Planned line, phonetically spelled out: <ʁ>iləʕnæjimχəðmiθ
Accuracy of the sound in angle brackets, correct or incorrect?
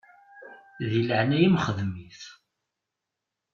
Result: incorrect